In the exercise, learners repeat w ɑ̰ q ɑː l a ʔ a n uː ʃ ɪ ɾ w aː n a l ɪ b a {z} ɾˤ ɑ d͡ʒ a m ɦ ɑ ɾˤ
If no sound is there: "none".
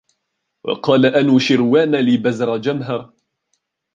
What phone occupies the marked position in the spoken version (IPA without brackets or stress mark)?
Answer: z